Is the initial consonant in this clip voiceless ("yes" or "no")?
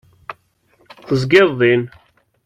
yes